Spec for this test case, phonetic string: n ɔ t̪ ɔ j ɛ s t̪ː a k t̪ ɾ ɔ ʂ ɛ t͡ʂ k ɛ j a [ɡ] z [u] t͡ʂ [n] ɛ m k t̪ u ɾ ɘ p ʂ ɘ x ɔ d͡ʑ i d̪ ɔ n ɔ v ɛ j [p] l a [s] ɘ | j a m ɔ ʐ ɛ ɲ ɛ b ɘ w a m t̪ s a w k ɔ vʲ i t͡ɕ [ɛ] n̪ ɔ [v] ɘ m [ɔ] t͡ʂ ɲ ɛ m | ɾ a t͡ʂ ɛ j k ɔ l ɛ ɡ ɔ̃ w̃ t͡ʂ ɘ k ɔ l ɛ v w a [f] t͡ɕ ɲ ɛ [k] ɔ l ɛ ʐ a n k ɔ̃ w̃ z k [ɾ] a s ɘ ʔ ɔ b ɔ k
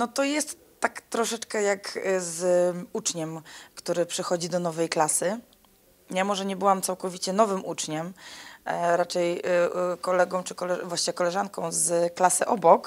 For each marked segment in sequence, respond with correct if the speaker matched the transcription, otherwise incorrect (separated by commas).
incorrect, correct, incorrect, incorrect, correct, correct, correct, incorrect, incorrect, correct, incorrect